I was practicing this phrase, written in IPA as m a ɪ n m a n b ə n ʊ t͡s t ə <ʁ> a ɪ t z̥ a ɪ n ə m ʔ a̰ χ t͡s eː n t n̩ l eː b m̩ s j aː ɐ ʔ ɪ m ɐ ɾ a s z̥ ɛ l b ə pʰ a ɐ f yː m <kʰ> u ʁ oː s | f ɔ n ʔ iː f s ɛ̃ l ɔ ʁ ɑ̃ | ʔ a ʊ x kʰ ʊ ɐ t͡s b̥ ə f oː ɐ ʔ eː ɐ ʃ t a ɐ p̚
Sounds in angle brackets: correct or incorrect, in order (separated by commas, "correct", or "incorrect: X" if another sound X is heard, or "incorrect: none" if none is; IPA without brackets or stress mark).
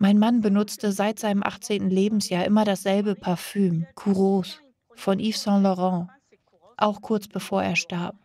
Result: incorrect: z, correct